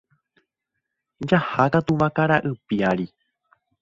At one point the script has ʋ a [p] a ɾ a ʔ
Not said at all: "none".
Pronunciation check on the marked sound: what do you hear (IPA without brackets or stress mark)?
k